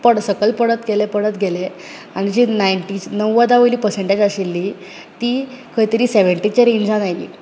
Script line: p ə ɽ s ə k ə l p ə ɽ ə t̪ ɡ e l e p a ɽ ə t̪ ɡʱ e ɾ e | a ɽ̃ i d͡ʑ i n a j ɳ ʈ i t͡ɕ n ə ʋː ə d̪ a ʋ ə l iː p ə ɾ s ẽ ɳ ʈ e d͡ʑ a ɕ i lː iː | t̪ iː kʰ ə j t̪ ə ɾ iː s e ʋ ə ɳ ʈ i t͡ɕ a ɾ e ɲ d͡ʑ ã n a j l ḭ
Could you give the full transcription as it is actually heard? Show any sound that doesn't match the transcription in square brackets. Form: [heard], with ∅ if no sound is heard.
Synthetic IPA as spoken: p ə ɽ s ə k ə l p ə ɽ ə t̪ ɡ e l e p [ə] ɽ ə t̪ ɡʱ e [l] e | a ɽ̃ i d͡ʑ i n a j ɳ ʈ i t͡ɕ n ə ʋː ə d̪ a ʋ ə l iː p ə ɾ s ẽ ɳ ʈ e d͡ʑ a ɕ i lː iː | t̪ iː kʰ ə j t̪ ə ɾ iː s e ʋ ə ɳ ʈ i t͡ɕ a ɾ e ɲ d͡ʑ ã n a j l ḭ